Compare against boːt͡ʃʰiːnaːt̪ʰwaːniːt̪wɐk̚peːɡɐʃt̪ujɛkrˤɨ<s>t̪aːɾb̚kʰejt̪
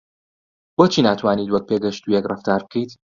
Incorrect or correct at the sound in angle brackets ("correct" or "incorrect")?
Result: incorrect